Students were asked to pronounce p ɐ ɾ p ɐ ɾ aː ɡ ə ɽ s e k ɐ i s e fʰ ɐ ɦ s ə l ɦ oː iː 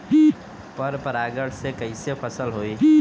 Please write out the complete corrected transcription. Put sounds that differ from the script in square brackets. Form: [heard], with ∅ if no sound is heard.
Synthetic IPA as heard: p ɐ ɾ p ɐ ɾ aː ɡ ə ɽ s e k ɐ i s e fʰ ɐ [∅] s ə l ɦ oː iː